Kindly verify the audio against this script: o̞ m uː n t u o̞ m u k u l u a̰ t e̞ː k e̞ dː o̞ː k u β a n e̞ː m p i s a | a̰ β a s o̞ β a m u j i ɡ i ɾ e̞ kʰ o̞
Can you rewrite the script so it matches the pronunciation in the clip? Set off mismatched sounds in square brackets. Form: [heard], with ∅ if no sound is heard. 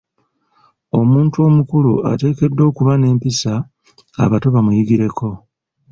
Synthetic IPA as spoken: o̞ m uː n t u o̞ m u k u l u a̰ t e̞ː k e̞ dː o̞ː k u β a n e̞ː m p i s a | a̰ β a [t] o̞ β a m u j i ɡ i ɾ e̞ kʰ o̞

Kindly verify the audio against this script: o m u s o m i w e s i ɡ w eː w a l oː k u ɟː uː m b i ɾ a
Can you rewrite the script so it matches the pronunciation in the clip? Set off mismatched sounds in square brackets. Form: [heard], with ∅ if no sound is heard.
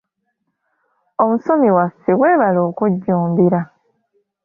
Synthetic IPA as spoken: o m u s o m i w [a] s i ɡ w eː [β] a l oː k u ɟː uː m b i ɾ a

